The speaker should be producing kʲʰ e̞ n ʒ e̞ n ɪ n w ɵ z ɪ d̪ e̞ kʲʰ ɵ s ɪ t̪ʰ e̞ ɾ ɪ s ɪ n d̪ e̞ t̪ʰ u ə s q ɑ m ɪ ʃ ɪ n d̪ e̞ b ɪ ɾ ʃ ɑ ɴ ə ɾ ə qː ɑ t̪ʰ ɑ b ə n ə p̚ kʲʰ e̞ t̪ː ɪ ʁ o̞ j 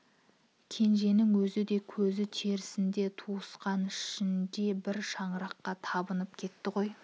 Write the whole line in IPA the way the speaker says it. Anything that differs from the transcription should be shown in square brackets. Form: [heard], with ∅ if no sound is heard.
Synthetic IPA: kʲʰ e̞ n ʒ e̞ n ɪ [ŋ] w ɵ z ɪ d̪ e̞ kʲʰ ɵ [z] ɪ t̪ʰ e̞ ɾ ɪ s ɪ n d̪ e̞ t̪ʰ u ə s q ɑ [n] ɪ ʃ ɪ n d̪ e̞ b ɪ ɾ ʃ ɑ ɴ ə ɾ [ɑ] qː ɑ t̪ʰ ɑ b ə n ə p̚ kʲʰ e̞ t̪ː ɪ ʁ o̞ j